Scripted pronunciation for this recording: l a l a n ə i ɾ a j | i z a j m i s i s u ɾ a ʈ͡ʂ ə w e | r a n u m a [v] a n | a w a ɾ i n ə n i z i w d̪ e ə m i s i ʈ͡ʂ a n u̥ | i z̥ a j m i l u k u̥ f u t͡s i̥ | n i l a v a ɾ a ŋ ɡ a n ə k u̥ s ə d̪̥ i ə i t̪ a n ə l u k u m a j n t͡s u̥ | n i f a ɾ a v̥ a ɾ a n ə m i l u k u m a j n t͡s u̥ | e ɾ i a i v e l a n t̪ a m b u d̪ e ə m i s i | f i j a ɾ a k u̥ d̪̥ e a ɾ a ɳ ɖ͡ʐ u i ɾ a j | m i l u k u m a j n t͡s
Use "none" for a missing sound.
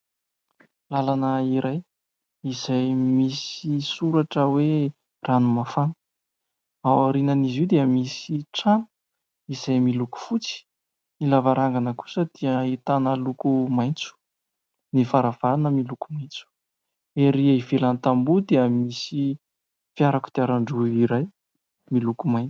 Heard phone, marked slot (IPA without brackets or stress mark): f